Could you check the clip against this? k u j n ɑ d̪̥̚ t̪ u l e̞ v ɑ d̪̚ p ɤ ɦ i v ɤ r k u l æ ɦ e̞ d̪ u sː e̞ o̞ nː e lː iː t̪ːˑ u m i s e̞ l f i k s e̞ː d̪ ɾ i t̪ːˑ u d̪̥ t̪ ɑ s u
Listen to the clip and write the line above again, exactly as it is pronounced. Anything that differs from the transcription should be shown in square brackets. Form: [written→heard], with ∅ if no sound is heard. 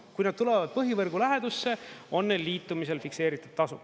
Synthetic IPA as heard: k u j n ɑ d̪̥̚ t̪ u l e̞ v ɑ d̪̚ p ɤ ɦ i v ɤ r [k→ɡ] u l æ ɦ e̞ d̪ u sː e̞ o̞ nː e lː iː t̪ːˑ u m i s e̞ l f i k s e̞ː [d̪→∅] ɾ i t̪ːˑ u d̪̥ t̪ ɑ s u

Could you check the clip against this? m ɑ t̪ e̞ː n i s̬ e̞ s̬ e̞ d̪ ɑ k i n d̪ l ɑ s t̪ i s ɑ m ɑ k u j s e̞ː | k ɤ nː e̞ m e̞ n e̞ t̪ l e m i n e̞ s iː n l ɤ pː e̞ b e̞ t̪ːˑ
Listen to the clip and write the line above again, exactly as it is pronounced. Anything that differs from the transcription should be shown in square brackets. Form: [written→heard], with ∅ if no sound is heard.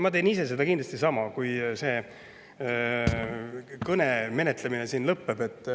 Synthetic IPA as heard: m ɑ t̪ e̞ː n i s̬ e̞ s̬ e̞ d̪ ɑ k i n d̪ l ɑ s t̪ i s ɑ m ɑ k u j s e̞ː | k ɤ [nː→n] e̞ m e̞ n e̞ t̪ l e m i n e̞ s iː n l ɤ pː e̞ b e̞ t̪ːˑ

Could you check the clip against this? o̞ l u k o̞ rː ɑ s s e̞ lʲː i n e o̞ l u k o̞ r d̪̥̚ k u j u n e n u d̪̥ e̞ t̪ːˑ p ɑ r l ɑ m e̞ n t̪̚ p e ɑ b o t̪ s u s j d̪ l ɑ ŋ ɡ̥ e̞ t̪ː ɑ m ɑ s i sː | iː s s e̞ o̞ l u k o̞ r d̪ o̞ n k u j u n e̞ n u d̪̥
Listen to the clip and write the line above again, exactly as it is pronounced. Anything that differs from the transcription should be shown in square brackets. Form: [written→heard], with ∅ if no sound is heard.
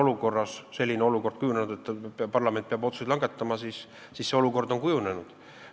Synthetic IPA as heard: o̞ l u k o̞ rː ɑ s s e̞ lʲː i n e o̞ l u k o̞ r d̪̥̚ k u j u n e n u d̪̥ e̞ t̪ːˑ p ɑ r l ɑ m e̞ n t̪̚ p e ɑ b o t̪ s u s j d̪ l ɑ ŋ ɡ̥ e̞ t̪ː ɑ m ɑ s i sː | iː s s e̞ o̞ l u k o̞ r d̪ o̞ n k u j u n e̞ n u d̪̥

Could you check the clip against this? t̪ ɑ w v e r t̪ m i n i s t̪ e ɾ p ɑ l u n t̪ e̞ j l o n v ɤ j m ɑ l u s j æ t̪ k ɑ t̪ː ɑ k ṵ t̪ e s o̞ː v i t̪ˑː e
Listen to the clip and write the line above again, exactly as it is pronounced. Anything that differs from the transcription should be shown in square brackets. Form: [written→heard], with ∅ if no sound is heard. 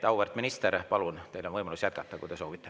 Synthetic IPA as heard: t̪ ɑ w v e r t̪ m i n i s t̪ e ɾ p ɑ l u n t̪ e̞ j l o n v ɤ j m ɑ l u s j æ t̪ k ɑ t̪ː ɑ k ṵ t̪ e s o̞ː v i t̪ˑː e

